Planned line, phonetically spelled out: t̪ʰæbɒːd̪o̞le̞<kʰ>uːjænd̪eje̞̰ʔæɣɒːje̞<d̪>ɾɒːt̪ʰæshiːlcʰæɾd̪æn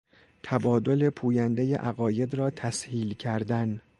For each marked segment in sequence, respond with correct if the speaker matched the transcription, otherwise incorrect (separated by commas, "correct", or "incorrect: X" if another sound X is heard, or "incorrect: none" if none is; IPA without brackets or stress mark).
incorrect: pʰ, correct